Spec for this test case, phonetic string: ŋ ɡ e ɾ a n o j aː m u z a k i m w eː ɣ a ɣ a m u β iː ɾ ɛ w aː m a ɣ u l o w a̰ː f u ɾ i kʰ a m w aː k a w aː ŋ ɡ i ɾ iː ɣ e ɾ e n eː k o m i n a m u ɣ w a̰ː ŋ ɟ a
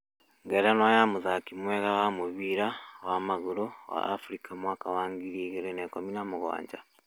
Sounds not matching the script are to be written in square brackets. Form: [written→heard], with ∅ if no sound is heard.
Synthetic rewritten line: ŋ ɡ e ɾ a n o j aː m u z a k i m w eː ɣ a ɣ a m u β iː ɾ [ɛ→a] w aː m a ɣ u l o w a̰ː f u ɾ i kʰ a m w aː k a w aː ŋ ɡ i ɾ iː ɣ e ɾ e n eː k o m i n a m u ɣ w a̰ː [ŋ→ɲ] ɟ a